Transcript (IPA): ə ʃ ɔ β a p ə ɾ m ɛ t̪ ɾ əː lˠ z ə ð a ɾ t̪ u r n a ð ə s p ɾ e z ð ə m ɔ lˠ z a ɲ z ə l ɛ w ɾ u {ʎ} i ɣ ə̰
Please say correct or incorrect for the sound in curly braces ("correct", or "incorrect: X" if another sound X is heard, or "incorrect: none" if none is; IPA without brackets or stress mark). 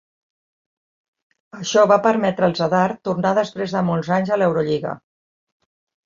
correct